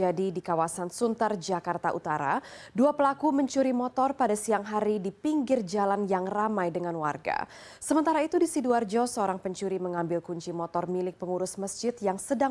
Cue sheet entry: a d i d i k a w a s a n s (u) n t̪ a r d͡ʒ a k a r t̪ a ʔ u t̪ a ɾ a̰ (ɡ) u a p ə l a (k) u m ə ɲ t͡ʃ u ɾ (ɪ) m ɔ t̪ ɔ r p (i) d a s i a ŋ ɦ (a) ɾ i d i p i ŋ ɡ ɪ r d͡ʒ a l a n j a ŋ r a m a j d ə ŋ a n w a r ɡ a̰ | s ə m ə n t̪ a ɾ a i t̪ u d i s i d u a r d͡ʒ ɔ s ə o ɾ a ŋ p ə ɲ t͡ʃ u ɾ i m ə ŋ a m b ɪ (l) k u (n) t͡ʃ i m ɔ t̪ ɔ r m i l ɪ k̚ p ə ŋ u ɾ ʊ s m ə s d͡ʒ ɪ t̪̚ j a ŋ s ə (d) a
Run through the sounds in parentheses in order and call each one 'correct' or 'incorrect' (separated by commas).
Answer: correct, incorrect, correct, incorrect, incorrect, correct, correct, incorrect, correct